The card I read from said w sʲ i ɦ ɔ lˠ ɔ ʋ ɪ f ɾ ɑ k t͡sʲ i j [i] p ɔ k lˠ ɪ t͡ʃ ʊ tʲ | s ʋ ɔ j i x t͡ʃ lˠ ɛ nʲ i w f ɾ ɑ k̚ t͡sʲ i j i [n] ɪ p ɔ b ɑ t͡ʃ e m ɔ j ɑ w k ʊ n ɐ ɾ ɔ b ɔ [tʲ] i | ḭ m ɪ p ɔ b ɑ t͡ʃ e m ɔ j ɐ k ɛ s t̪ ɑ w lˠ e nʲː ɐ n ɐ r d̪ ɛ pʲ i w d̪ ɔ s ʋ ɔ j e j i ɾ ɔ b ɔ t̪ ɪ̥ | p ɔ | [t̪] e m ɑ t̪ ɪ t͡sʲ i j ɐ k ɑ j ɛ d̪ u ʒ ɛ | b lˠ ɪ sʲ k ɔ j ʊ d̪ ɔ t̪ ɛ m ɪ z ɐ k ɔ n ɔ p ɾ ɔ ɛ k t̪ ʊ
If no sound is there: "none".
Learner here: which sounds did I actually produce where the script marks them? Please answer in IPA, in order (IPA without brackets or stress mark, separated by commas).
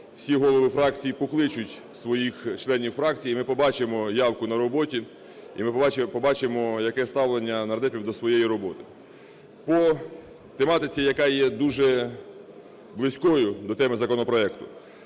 i, m, tʲ, t̪